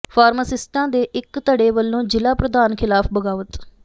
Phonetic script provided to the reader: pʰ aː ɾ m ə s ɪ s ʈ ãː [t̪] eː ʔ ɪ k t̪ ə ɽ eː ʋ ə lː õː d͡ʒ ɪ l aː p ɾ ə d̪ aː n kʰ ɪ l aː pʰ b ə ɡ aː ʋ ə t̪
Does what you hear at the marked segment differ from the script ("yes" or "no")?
yes